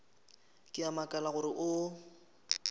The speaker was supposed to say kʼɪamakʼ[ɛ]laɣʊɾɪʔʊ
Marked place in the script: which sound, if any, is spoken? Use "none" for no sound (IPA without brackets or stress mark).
a